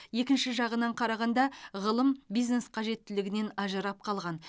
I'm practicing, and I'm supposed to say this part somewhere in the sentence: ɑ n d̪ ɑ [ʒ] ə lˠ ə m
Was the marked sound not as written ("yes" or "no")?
yes